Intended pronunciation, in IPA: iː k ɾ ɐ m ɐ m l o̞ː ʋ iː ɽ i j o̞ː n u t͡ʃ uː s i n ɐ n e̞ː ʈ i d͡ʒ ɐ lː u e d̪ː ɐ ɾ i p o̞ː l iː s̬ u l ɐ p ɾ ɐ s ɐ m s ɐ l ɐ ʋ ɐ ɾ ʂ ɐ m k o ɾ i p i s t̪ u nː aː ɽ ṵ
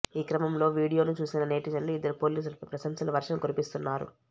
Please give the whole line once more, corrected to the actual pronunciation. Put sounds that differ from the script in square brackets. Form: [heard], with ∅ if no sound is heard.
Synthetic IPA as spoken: iː k ɾ ɐ m ɐ m l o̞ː ʋ iː ɽ i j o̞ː n u t͡ʃ uː s i n ɐ n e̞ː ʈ i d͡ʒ ɐ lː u [i] d̪ː ɐ ɾ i p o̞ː l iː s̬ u l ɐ p ɾ ɐ s ɐ m s ɐ l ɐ ʋ ɐ ɾ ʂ ɐ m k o ɾ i p i s t̪ u nː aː [ɾ] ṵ